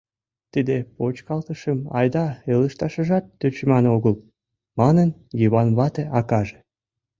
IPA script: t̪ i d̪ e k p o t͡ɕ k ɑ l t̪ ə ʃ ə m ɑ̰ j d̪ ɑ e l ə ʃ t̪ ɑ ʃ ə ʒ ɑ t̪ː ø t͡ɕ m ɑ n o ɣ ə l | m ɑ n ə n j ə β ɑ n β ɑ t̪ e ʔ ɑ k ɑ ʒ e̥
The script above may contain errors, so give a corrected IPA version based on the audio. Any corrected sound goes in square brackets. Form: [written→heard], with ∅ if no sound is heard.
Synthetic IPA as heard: t̪ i d̪ e [k→∅] p o t͡ɕ k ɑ l t̪ ə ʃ ə m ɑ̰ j d̪ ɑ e l ə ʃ t̪ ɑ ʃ ə ʒ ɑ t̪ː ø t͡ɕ m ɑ n o ɣ ə l | m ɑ n ə n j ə β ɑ n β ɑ t̪ e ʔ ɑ k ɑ ʒ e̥